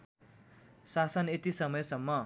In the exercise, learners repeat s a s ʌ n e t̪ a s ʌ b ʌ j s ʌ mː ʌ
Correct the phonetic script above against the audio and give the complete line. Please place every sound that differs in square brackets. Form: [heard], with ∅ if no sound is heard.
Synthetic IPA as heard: s a s ʌ n e t̪ [i] s ʌ [m] ʌ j s ʌ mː ʌ